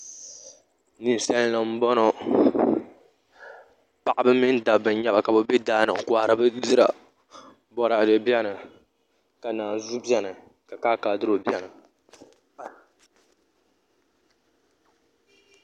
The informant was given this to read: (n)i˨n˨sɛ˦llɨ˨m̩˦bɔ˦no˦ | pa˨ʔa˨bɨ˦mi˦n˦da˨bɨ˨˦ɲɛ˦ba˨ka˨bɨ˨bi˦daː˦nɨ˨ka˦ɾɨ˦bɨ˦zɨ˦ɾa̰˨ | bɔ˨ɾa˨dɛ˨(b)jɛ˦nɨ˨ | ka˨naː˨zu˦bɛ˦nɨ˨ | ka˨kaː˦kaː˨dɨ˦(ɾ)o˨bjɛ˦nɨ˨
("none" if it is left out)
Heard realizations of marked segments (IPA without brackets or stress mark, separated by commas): n, b, ɾ